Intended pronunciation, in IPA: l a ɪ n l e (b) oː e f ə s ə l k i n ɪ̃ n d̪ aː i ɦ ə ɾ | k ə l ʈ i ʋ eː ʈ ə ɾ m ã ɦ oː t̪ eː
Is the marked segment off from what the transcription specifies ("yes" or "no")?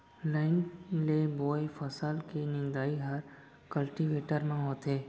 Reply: no